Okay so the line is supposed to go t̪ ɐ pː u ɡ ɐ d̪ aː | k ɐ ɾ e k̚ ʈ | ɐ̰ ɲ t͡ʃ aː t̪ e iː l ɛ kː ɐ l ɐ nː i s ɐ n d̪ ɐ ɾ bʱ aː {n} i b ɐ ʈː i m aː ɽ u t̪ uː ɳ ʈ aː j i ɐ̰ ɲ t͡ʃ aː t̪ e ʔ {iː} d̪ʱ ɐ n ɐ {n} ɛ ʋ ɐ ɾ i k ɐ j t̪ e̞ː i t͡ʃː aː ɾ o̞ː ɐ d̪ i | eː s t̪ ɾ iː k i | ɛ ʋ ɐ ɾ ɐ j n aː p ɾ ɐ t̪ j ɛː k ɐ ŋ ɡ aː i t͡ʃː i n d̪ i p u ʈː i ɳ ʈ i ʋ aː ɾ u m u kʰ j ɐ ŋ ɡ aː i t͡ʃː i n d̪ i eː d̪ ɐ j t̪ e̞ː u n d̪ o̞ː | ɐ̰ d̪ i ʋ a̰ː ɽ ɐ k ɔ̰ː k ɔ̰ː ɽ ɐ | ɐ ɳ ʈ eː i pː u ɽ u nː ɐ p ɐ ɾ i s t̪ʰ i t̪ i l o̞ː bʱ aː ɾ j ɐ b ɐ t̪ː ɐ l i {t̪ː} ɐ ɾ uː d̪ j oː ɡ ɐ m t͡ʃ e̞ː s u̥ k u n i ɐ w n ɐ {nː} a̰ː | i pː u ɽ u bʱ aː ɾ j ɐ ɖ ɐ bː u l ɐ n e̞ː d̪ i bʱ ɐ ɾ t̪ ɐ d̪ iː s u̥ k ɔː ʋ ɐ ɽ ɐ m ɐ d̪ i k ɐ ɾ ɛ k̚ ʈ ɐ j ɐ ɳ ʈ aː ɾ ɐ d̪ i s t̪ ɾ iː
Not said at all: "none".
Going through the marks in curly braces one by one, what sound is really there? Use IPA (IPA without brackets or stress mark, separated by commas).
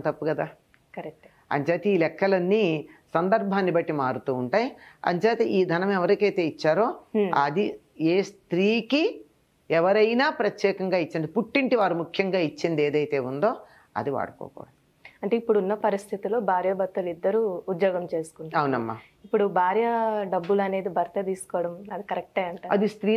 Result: nː, iː, m, d̪ː, mː